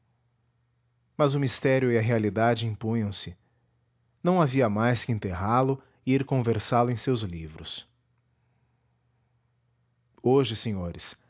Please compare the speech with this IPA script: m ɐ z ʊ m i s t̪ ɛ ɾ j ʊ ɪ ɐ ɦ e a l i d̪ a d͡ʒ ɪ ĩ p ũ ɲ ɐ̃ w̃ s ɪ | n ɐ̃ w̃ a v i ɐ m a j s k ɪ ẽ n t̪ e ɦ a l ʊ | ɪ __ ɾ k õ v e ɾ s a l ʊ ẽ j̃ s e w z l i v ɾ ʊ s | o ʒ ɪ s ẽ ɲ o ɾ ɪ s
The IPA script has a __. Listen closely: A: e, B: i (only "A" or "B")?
B